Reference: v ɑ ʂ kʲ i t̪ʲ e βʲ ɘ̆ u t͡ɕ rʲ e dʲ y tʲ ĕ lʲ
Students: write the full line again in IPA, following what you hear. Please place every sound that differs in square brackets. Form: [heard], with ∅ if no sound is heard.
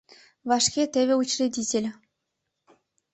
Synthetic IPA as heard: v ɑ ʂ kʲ [e] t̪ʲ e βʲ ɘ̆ u t͡ɕ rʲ e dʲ [i] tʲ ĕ lʲ

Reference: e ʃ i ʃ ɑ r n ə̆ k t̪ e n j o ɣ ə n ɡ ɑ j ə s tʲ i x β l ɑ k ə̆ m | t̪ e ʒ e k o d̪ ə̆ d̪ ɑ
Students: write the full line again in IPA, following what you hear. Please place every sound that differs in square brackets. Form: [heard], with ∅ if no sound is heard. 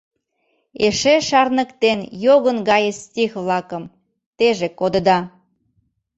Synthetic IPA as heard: e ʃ [e] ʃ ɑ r n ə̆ k t̪ e n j o ɣ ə n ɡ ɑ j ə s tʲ i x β l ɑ k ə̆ m | t̪ e ʒ e k o d̪ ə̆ d̪ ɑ

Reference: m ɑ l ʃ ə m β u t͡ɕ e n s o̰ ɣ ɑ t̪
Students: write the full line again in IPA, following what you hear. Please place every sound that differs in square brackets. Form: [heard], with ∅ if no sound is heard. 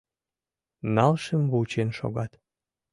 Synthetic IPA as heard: [n] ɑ l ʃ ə m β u t͡ɕ e n [ʃ] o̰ ɣ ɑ t̪

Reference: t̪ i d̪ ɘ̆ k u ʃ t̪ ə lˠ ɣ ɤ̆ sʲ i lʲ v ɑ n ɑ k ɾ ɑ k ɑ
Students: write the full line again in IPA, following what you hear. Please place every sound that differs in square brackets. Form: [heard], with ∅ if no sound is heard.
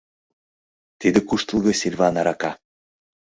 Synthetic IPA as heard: t̪ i d̪ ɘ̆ k u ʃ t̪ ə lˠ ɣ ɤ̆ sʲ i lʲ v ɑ n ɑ [∅] ɾ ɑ k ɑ

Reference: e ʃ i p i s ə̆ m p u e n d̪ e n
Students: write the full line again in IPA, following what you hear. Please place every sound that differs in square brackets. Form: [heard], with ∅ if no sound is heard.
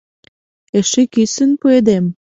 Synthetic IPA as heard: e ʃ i [k] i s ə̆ [n] p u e [∅] d̪ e [m]

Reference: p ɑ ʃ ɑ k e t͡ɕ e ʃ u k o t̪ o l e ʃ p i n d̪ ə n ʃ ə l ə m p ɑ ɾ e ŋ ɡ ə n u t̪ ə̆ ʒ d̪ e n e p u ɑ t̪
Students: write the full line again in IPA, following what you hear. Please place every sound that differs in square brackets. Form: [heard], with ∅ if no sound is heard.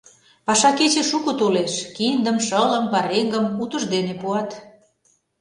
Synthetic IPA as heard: p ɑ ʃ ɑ k e t͡ɕ e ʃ u k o t̪ o l e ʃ [k] i n d̪ ə [m] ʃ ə l ə m p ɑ ɾ e ŋ ɡ ə [m] u t̪ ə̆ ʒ d̪ e n e p u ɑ t̪

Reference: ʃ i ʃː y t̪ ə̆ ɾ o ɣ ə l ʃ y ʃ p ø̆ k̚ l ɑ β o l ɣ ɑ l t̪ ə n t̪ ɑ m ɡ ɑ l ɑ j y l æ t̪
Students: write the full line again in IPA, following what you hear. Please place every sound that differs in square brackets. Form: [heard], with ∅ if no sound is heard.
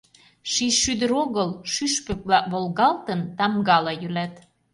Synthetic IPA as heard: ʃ i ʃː y [d̪] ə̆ ɾ o ɣ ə l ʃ y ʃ p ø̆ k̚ l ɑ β o l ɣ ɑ l t̪ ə n t̪ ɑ m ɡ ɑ l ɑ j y l æ t̪

